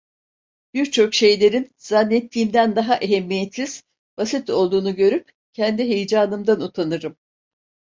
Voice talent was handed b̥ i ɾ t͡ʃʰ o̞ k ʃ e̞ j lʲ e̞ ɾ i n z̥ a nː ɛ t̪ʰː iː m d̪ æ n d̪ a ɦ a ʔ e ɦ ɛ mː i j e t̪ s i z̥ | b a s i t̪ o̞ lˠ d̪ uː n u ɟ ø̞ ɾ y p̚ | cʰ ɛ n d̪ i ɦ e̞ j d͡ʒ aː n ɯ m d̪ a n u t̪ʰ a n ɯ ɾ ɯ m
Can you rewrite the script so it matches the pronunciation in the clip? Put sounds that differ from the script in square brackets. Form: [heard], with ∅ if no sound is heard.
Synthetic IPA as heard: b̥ i ɾ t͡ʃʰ o̞ k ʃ e̞ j lʲ e̞ ɾ i n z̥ a nː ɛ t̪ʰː iː m d̪ æ n d̪ a ɦ a ʔ e ɦ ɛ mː i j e t̪ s i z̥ | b a s i t̪ o̞ lˠ d̪ uː n u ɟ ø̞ ɾ y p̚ | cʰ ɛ n d̪ i ɦ e̞ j d͡ʒ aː n ɯ m d̪ a n u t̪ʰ a n ɯ ɾ ɯ m